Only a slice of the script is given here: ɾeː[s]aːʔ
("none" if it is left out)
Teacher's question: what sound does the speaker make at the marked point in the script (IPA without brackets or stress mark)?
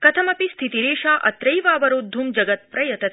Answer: ʃ